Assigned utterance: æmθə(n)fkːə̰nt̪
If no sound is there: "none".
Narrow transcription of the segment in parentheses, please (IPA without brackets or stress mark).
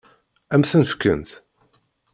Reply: n